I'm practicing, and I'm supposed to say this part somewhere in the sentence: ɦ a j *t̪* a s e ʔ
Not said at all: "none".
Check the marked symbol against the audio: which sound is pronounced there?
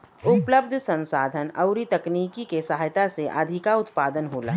t̪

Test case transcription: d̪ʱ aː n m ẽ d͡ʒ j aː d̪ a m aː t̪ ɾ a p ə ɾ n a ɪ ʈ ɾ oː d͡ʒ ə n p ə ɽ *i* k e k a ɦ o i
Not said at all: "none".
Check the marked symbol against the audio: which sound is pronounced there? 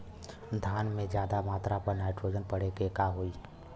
e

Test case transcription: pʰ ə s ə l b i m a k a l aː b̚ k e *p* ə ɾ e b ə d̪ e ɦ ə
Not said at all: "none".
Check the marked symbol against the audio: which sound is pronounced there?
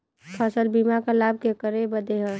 k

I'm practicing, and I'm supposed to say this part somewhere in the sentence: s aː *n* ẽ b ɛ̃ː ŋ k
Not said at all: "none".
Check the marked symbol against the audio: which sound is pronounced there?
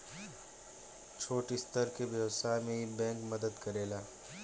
m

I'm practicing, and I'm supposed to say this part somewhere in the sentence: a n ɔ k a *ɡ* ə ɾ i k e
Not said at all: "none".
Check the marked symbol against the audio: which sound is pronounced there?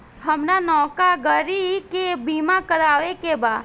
ɡ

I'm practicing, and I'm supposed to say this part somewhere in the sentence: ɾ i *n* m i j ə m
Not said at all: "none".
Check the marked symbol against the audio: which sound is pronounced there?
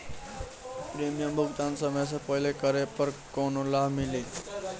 none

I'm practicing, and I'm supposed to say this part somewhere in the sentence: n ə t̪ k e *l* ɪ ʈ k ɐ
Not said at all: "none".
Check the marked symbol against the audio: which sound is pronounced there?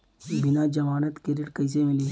ɾ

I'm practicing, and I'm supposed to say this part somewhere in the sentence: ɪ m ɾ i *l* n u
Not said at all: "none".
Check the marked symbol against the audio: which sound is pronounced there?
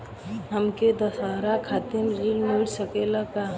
l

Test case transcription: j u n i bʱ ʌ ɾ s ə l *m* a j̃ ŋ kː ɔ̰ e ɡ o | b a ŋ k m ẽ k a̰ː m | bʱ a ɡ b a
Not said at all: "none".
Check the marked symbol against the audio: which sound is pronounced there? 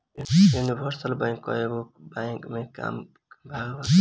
b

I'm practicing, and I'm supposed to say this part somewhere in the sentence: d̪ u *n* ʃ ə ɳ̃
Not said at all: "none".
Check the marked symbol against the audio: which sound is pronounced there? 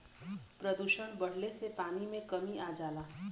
none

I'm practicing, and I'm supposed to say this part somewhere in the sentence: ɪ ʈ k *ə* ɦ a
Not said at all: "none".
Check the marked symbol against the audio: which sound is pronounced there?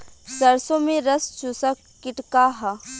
a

